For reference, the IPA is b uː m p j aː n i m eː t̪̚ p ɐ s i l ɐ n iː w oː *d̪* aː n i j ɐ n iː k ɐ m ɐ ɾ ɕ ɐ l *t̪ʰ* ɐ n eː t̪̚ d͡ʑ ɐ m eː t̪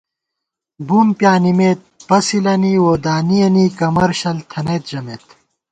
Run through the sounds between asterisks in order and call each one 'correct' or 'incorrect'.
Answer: correct, correct

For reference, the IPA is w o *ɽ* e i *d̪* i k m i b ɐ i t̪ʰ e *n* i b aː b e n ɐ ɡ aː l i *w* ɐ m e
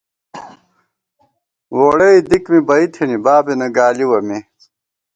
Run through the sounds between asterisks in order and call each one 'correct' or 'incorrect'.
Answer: correct, correct, correct, correct

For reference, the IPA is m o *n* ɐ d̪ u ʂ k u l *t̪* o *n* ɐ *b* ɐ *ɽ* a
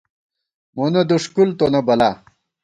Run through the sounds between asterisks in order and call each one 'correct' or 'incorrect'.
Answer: correct, correct, correct, correct, incorrect

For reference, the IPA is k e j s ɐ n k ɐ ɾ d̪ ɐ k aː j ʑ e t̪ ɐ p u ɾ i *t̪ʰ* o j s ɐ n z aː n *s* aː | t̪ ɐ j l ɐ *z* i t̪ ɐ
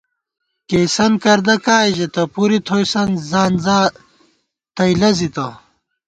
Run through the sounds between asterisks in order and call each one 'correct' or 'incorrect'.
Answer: correct, incorrect, correct

